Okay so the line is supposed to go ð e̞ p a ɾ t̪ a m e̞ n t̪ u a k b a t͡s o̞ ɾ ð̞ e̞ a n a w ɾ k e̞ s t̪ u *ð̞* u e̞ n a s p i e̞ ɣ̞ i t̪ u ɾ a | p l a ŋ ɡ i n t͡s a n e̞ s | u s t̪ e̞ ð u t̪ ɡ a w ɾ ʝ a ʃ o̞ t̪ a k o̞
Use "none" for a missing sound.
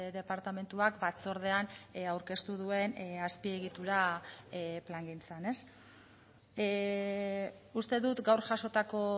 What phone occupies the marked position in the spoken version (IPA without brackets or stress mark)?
ð̞